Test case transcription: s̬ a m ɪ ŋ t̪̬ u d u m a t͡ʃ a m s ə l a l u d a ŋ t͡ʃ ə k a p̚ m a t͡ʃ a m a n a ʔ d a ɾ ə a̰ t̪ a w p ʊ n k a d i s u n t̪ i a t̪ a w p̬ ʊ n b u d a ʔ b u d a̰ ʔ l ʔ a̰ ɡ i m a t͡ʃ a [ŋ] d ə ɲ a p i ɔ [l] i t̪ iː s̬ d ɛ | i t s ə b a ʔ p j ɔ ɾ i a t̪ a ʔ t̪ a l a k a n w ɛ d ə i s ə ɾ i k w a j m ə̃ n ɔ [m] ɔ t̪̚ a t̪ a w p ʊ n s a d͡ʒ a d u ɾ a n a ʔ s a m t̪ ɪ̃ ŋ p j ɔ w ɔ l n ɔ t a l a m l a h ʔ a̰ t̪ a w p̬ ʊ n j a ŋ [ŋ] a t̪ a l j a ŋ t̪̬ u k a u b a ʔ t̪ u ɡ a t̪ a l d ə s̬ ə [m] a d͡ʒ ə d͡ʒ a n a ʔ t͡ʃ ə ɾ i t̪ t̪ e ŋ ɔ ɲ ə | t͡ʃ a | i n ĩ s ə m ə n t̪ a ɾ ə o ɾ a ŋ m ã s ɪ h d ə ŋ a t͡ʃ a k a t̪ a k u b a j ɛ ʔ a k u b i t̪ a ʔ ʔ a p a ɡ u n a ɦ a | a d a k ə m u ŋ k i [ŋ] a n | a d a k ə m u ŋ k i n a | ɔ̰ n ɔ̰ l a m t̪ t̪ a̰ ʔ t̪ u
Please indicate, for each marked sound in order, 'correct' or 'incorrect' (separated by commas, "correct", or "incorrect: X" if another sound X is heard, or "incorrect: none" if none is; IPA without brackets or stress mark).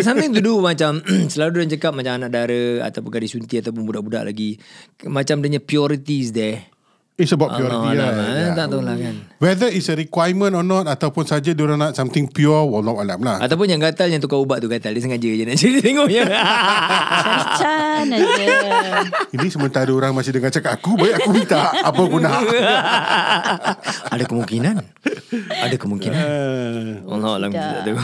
incorrect: m, incorrect: ɾ, incorrect: n, incorrect: ɡ, incorrect: ŋ, incorrect: n